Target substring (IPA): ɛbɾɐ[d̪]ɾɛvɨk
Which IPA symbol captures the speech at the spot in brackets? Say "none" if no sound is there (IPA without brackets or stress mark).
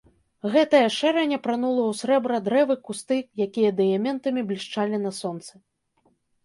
d̪